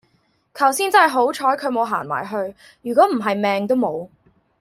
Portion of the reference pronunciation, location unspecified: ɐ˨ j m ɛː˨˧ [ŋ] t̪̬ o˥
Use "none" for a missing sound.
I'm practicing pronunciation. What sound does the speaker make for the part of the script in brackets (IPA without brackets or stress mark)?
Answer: ŋ